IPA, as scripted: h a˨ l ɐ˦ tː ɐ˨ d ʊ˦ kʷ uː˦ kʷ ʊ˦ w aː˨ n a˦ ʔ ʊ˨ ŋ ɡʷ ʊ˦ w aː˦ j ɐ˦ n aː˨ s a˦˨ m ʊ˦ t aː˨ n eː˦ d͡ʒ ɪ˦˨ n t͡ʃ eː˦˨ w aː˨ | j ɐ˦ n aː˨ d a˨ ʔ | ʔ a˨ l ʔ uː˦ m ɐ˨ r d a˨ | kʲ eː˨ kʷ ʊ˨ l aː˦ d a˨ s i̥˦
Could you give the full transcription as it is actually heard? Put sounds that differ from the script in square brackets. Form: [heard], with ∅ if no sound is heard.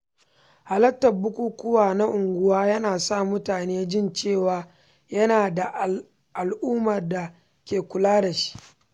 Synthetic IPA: h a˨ l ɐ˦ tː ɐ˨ [b] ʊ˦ kʷ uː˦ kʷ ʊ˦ w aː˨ n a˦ ʔ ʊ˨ ŋ ɡʷ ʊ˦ w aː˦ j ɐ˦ n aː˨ s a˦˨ m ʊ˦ t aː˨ n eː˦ d͡ʒ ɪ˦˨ n t͡ʃ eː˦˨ w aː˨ | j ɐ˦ n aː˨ d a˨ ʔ | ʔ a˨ l ʔ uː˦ m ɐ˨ r d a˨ | kʲ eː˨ kʷ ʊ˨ l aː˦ d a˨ [ʃ] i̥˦